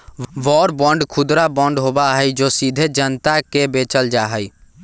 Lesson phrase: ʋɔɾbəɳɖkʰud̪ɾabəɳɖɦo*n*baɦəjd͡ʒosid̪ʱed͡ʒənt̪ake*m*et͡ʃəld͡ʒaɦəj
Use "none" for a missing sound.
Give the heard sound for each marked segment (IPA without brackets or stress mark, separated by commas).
none, b